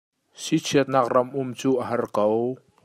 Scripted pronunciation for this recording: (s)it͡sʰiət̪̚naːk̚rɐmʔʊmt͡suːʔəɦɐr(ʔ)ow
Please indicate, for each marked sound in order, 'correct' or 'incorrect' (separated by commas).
correct, incorrect